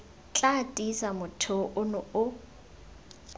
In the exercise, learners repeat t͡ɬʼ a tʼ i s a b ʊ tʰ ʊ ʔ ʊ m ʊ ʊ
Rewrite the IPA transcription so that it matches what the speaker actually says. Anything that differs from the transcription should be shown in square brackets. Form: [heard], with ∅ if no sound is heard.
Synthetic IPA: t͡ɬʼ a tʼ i s a [m] ʊ tʰ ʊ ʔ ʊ [n] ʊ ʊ